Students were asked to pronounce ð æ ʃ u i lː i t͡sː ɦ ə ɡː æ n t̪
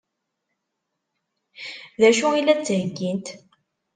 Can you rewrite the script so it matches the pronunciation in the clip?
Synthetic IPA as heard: ð æ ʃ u i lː æ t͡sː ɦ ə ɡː i n t̪